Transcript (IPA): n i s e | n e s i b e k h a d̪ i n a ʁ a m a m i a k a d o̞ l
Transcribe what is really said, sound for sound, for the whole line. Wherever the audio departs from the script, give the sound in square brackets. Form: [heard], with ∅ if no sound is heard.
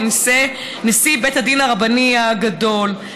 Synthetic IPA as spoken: n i s e | n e s i b e [t] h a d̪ i n a ʁ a [b] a [n] i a [ɡ] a d o̞ l